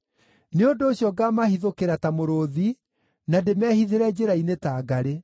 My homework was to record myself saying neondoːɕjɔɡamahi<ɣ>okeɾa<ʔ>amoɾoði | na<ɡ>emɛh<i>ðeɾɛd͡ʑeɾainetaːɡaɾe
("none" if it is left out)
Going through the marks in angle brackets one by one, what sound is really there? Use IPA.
ð, t, d, i

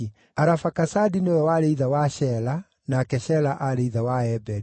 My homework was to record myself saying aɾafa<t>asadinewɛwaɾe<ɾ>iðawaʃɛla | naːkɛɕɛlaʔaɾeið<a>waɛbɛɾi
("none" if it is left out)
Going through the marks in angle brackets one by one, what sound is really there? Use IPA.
k, none, a

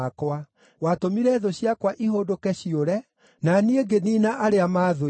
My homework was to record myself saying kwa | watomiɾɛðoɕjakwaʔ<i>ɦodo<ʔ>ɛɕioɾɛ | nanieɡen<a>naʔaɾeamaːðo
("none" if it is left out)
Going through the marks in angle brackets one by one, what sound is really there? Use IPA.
i, k, i

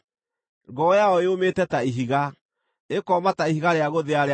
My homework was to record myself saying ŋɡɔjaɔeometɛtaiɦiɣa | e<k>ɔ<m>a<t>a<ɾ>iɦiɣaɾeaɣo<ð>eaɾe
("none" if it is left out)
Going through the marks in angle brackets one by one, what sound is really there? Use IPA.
k, m, t, none, ð

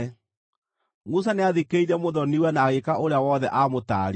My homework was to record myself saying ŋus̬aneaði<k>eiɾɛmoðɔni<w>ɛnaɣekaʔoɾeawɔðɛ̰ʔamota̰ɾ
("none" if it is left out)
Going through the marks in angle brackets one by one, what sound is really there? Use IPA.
k, w

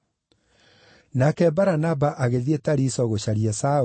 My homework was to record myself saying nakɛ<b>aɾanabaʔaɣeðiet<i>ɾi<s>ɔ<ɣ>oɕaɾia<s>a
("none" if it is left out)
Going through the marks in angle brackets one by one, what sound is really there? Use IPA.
b, a, s, ɣ, s

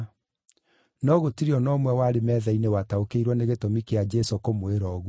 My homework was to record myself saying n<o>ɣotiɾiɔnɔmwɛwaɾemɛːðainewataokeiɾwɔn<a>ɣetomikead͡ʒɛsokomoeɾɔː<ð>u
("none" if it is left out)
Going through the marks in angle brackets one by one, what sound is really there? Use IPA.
ɔ, e, ɣ

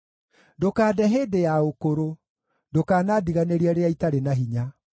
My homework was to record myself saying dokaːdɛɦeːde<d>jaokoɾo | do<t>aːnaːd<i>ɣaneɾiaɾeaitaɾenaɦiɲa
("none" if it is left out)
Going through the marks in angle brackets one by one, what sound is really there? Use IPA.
none, k, i

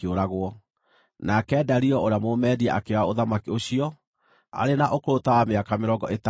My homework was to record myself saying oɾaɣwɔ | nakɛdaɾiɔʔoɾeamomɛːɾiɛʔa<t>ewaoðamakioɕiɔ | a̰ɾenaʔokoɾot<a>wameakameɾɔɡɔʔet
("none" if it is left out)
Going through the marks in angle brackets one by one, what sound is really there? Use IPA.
k, a

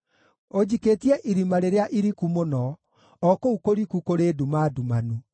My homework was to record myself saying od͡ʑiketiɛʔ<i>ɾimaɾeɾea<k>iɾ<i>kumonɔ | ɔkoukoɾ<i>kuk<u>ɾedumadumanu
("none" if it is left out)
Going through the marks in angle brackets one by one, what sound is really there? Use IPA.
i, ʔ, i, i, o

